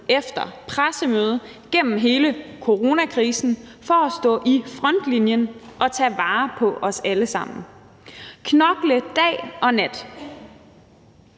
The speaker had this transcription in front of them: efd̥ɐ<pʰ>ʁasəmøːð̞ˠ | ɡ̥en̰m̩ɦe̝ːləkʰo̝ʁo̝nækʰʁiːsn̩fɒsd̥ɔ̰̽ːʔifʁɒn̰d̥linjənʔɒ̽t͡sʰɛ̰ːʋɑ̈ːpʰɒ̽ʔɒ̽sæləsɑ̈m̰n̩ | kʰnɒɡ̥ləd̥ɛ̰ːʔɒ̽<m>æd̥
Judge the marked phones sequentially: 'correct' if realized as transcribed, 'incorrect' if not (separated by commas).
correct, incorrect